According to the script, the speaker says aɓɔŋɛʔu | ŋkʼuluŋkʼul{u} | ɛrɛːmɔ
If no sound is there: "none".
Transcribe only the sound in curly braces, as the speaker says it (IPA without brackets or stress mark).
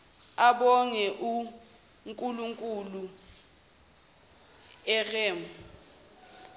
u